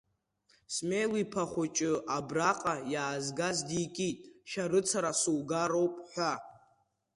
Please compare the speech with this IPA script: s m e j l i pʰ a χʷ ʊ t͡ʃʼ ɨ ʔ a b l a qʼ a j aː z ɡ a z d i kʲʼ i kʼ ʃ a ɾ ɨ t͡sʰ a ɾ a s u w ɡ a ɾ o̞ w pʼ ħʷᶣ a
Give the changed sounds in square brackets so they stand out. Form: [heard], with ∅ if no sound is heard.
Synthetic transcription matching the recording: s m e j l i pʰ a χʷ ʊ t͡ʃʼ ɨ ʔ a b [r] a qʼ a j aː z ɡ a z d i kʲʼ i [tʼ] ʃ a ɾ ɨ t͡sʰ a ɾ a s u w ɡ a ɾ o̞ w pʼ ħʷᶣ a